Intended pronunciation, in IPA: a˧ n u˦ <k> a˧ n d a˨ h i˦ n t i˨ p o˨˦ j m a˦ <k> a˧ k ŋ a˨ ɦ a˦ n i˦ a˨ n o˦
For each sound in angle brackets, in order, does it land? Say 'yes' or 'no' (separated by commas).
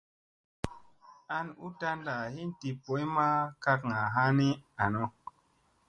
no, yes